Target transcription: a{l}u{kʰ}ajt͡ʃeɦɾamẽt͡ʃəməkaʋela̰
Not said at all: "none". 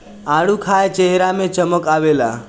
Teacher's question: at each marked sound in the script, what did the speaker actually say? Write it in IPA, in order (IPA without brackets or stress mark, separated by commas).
ɽ, kʰ